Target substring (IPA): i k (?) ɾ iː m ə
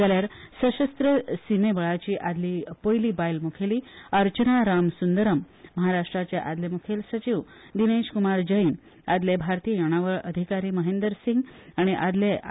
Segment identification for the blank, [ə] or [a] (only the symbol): a